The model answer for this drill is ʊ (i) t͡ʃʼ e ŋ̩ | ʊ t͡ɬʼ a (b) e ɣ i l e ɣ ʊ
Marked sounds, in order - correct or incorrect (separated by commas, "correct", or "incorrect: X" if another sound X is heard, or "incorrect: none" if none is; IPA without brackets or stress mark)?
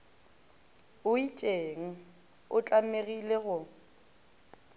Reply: correct, incorrect: m